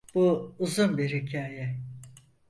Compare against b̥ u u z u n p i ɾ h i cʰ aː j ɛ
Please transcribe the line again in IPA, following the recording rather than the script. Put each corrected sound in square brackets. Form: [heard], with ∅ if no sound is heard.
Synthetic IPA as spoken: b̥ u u z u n [b] i ɾ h i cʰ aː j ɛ